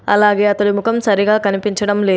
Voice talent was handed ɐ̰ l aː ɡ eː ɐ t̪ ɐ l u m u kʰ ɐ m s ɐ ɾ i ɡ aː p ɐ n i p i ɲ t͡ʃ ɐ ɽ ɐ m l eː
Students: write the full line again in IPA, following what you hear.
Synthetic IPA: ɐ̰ l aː ɡ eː ɐ t̪ ɐ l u m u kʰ ɐ m s ɐ ɾ i ɡ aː k ɐ n i p i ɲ t͡ʃ ɐ ɽ ɐ m l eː